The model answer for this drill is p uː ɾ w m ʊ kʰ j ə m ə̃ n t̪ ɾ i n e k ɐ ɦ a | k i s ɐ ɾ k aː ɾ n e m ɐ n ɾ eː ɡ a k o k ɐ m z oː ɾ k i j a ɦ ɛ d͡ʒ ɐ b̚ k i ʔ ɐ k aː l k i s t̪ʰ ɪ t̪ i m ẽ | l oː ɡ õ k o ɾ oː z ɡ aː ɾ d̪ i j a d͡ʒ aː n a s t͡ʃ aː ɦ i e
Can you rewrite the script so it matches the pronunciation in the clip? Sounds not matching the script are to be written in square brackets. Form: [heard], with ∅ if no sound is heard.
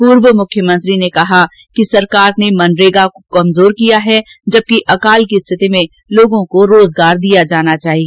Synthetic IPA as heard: p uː ɾ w m ʊ kʰ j ə m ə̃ n t̪ ɾ i n e k ɐ ɦ a | k i s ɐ ɾ k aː ɾ n e m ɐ n ɾ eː ɡ a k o k ɐ m z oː ɾ k i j a ɦ ɛ d͡ʒ ɐ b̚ k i ʔ ɐ k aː l k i s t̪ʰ ɪ t̪ i m ẽ | l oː ɡ õ k o ɾ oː z ɡ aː ɾ d̪ i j a d͡ʒ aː n a [∅] t͡ʃ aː ɦ i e